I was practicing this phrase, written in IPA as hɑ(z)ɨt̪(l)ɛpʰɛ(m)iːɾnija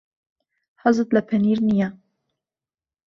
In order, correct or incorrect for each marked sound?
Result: correct, correct, incorrect: n

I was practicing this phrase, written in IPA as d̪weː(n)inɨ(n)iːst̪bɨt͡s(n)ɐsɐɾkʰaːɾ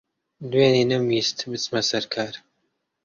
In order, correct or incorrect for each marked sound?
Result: correct, incorrect: m, incorrect: m

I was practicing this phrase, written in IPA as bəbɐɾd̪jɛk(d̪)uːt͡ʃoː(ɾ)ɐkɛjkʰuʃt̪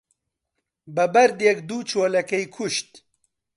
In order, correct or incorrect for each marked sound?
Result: correct, incorrect: l

